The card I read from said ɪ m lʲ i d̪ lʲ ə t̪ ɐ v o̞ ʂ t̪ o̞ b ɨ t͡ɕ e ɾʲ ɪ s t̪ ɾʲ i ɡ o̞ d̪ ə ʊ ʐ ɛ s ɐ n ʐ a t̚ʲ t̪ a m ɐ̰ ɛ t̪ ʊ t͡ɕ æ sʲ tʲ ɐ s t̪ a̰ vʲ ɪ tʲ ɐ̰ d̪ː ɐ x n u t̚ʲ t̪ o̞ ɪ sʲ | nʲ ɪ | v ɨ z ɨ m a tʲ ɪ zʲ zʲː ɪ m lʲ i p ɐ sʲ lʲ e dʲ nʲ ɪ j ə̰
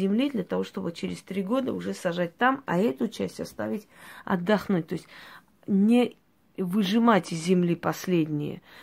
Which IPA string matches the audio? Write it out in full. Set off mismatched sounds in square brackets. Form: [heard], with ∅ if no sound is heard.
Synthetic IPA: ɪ m lʲ i d̪ lʲ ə t̪ ɐ v o̞ ʂ t̪ o̞ b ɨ t͡ɕ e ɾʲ ɪ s t̪ ɾʲ i ɡ o̞ d̪ ə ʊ ʐ ɛ s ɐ [∅] ʐ a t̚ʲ t̪ a m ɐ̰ ɛ t̪ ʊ t͡ɕ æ sʲ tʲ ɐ s t̪ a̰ vʲ ɪ tʲ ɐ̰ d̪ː ɐ x n u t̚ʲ t̪ o̞ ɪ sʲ | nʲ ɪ | v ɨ [ʐ] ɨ m a tʲ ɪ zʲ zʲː ɪ m lʲ i p ɐ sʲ lʲ e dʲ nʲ ɪ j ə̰